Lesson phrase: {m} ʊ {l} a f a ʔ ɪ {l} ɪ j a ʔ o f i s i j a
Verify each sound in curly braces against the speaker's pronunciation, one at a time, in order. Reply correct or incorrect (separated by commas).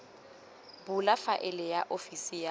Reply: incorrect, correct, correct